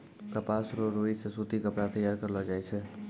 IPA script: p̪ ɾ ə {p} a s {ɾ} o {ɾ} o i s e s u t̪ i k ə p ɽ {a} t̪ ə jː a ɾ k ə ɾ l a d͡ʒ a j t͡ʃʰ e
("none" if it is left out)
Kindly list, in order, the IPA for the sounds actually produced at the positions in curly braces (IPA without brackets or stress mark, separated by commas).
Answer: p, ɾ, ɾ, a